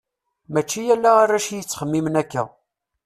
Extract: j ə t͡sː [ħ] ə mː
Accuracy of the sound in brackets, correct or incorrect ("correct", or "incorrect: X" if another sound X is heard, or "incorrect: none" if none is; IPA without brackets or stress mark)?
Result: incorrect: χ